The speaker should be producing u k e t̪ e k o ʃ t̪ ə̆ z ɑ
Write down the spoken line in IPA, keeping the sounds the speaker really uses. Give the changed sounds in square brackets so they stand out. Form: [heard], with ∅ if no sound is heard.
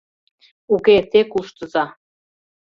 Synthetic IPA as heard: u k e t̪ e k [u] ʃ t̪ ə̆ z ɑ